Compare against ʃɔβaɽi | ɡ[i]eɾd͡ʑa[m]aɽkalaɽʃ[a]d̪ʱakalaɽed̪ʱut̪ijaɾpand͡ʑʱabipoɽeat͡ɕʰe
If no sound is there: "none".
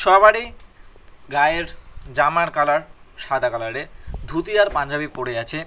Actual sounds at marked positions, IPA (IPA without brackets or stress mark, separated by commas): a, m, a